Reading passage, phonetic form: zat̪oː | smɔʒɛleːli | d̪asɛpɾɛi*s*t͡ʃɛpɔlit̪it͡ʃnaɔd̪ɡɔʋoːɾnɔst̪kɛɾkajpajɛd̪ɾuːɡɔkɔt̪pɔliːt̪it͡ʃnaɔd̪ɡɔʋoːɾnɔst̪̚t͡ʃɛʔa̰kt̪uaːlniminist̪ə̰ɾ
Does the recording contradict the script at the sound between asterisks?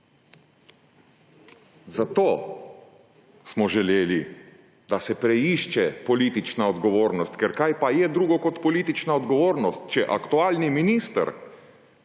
yes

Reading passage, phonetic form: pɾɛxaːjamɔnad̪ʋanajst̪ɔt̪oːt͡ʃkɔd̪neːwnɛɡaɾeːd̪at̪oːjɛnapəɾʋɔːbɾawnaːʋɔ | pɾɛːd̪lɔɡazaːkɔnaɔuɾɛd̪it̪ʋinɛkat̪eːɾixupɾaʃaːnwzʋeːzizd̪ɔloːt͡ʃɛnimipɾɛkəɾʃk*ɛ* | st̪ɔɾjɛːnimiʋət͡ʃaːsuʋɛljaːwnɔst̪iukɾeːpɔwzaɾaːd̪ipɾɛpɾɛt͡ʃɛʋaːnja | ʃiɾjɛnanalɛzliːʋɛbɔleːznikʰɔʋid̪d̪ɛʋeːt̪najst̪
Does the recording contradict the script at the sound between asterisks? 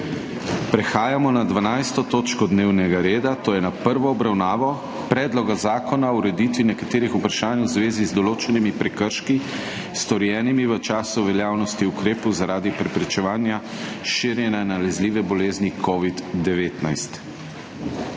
yes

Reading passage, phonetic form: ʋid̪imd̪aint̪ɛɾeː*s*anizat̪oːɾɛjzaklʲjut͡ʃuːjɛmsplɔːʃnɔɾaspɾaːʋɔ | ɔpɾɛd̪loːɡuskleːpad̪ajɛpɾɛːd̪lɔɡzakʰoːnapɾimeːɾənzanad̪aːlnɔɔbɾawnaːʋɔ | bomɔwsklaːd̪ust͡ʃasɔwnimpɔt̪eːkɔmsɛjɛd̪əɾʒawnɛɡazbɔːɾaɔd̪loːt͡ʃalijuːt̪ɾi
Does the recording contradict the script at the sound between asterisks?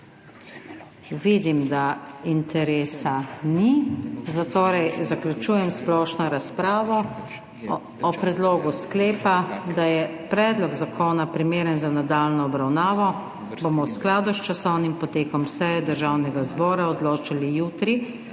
no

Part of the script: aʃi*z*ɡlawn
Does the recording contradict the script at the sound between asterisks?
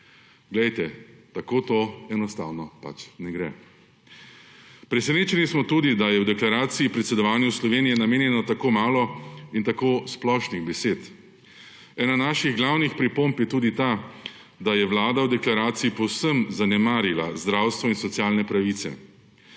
yes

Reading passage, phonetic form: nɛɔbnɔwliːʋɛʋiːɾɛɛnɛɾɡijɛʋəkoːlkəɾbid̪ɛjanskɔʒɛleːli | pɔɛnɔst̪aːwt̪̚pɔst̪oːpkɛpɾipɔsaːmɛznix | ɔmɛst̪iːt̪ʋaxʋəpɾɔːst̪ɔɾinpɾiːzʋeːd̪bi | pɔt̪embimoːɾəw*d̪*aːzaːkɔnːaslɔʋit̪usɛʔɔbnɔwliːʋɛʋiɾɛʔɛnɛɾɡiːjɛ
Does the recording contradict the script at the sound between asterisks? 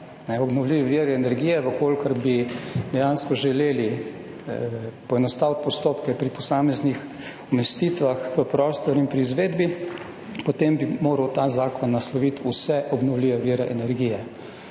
yes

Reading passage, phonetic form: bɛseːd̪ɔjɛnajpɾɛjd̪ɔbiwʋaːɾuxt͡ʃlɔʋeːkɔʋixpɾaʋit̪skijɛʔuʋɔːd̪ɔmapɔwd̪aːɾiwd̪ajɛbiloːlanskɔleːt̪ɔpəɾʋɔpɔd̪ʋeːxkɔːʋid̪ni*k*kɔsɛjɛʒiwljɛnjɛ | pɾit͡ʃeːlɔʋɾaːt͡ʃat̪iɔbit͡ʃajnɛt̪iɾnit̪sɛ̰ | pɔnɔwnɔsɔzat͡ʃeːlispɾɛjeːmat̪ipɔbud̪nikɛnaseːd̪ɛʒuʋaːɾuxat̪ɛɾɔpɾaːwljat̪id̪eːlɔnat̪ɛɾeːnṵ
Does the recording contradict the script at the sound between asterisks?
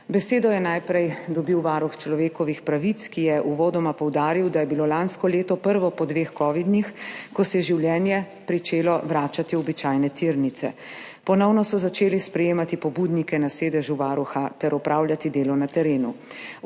yes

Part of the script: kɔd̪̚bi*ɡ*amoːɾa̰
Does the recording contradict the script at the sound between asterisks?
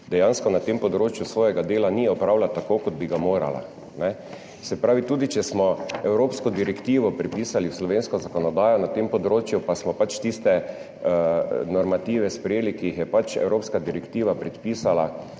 no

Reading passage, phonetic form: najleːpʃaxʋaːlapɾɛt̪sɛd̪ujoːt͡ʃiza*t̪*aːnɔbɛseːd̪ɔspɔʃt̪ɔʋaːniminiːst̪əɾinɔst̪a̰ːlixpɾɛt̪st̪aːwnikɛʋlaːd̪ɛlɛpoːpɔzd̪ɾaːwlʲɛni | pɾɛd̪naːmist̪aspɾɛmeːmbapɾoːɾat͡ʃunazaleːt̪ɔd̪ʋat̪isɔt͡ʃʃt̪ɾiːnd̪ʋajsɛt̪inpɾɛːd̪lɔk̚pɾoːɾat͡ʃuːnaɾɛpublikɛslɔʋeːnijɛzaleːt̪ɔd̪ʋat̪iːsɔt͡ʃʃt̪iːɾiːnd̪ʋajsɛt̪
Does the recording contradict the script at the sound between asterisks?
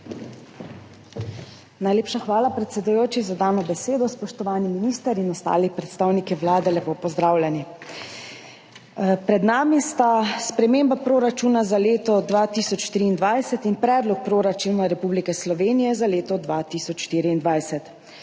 yes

